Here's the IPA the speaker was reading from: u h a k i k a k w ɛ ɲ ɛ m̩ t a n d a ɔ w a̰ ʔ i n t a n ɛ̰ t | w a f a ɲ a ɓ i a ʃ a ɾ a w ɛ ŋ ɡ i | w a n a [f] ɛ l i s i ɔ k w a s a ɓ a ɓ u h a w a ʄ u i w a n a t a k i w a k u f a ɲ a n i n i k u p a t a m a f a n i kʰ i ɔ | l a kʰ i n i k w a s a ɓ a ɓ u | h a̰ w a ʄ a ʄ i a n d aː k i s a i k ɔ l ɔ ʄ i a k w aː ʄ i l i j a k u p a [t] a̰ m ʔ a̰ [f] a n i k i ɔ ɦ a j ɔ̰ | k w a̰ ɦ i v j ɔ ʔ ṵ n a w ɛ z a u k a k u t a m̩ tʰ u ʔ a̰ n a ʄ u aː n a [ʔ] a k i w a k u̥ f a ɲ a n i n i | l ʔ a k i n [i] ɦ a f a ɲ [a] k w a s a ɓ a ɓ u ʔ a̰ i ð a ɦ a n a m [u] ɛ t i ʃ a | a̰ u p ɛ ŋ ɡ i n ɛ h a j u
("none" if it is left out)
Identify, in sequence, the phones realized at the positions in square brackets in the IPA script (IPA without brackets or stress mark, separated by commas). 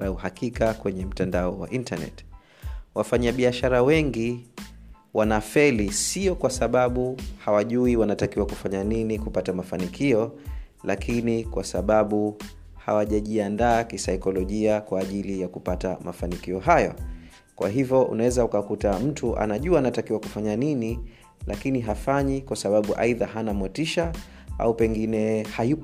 f, t, f, t, i, i, w